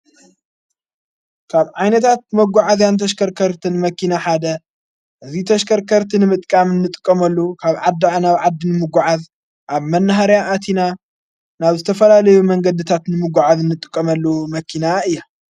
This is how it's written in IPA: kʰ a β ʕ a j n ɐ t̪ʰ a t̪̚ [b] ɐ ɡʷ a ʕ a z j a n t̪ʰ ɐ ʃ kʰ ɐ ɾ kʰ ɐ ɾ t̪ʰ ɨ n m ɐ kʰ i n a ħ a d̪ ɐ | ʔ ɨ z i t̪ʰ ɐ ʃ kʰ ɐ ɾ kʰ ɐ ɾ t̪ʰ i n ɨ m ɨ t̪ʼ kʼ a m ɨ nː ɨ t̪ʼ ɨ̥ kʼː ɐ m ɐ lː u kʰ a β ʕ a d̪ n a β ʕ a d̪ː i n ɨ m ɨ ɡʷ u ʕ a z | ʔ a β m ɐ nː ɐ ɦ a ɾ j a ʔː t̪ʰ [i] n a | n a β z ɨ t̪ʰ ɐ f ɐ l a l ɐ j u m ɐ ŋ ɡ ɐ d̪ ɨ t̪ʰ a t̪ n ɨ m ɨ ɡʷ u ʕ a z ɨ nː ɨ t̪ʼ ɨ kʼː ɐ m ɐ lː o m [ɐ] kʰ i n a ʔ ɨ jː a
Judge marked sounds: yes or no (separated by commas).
no, yes, yes